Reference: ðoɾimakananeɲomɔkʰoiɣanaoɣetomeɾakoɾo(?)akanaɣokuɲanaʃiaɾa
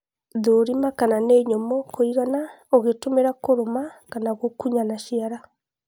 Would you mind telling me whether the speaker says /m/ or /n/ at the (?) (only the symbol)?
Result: m